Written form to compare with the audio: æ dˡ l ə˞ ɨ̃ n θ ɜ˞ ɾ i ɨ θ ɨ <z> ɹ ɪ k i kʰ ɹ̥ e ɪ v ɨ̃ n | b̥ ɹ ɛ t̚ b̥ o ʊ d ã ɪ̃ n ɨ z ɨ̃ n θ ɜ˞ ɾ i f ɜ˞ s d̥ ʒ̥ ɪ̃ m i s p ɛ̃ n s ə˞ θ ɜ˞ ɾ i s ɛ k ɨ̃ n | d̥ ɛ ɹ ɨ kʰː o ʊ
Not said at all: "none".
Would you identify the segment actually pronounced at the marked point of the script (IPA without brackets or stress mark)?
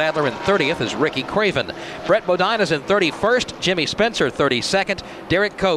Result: z